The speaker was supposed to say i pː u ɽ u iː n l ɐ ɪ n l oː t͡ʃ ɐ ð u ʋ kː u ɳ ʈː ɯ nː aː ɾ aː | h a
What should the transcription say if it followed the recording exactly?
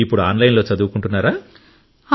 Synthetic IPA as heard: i pː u ɽ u aː n l ɐ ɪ n l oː t͡ʃ ɐ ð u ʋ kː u ɳ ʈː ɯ nː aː ɾ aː | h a